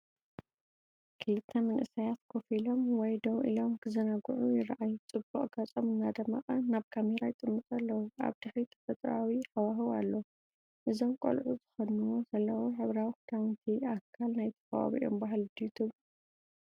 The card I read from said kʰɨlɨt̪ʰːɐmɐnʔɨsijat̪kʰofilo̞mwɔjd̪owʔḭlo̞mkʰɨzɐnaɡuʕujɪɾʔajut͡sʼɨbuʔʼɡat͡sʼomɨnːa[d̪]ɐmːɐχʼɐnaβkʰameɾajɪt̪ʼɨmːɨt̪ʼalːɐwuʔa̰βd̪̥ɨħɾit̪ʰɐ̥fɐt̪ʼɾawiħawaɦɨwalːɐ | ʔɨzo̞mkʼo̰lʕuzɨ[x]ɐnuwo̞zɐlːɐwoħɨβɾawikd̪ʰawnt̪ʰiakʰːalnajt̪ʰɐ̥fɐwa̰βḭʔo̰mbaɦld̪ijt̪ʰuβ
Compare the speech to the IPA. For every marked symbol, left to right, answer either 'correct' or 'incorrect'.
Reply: correct, correct

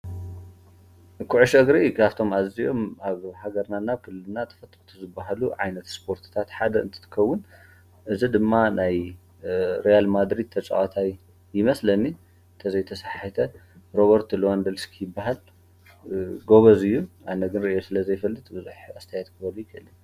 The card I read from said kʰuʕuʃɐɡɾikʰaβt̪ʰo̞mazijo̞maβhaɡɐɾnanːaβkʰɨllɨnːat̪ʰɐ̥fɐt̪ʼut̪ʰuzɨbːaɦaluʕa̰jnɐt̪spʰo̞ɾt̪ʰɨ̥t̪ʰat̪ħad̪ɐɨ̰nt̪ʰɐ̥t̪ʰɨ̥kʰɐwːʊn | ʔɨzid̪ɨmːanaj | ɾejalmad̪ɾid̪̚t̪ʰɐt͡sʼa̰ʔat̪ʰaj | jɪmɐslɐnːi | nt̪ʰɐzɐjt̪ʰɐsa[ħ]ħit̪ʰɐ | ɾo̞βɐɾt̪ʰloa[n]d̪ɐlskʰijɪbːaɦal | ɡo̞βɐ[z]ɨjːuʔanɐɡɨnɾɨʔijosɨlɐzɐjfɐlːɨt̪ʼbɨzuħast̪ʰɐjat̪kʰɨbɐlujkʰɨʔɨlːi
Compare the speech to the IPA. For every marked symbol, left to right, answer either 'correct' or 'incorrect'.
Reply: correct, correct, correct

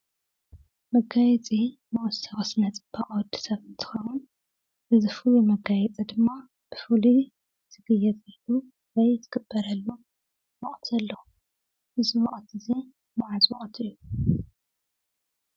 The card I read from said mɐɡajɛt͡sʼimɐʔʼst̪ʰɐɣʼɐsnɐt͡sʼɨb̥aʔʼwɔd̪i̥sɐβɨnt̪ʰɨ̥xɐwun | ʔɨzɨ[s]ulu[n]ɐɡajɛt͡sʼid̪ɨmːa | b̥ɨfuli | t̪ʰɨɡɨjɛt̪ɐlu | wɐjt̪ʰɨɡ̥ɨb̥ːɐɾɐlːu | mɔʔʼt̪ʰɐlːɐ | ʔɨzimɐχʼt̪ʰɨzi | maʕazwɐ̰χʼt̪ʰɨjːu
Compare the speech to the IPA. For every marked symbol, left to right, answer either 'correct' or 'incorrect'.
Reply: incorrect: f, incorrect: m

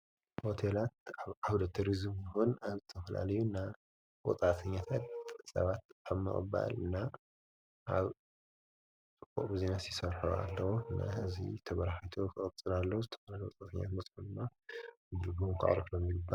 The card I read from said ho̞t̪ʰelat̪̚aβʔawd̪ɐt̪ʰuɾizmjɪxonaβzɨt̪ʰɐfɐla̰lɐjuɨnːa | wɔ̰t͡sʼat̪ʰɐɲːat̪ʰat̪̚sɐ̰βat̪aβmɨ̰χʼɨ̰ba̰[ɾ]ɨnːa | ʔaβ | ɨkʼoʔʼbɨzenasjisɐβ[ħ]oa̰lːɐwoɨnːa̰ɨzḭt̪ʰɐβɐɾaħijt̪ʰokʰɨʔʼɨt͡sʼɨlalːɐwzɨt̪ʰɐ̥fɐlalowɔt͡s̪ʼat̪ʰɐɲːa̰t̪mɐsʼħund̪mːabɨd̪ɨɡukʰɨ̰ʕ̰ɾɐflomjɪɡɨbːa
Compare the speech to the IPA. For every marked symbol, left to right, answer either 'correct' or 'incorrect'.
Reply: incorrect: l, correct

